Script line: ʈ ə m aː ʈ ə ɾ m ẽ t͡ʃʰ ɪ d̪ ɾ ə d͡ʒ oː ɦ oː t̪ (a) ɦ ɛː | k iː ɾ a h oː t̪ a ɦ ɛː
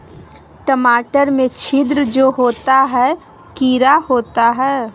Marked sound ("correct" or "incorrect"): correct